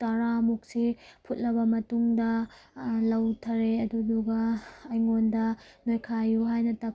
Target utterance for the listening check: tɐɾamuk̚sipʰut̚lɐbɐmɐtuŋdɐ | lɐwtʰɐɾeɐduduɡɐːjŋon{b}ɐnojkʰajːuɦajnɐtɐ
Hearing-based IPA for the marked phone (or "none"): d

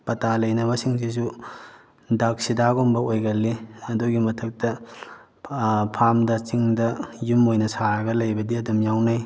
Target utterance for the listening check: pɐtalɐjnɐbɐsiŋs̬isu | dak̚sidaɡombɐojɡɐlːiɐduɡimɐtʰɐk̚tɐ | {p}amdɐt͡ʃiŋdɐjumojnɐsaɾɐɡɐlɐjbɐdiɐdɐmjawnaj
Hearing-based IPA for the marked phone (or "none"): pʰ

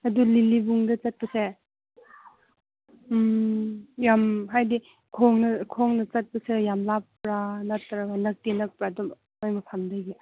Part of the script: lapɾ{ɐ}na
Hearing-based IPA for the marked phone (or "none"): a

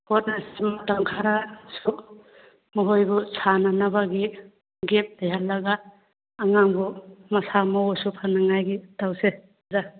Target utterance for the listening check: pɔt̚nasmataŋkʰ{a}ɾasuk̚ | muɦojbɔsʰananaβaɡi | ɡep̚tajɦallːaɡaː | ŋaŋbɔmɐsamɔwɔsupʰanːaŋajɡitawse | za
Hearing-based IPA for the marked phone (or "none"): a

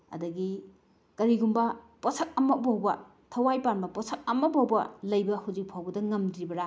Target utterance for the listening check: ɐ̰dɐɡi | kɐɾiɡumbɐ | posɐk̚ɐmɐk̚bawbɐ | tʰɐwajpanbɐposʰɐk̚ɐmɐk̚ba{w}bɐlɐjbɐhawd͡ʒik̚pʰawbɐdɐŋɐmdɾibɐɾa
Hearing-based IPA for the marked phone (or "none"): w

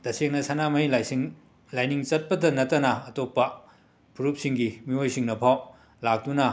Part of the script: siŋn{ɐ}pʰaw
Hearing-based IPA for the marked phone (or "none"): ɐ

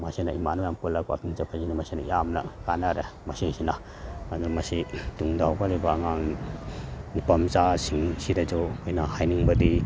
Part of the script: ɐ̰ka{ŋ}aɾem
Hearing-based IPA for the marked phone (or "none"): n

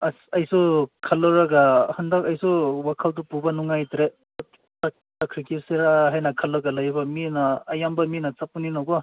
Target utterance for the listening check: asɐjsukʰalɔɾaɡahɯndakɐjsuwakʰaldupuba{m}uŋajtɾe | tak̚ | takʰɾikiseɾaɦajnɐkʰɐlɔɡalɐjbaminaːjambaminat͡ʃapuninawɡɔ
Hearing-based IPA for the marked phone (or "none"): n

